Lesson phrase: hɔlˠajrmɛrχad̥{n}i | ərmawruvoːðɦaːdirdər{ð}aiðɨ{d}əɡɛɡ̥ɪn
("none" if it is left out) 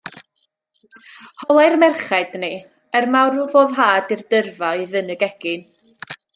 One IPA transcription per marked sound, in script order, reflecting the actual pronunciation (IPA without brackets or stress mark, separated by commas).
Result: n, v, n